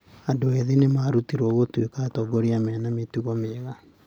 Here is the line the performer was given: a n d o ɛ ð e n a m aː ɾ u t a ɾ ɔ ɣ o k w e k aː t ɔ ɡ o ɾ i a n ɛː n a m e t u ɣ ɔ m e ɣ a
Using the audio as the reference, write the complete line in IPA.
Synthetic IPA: a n d o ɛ ð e n e m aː ɾ u t i ɾ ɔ ɣ o t w e k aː t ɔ ɡ o ɾ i a m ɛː n a m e t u ɣ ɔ m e ɣ a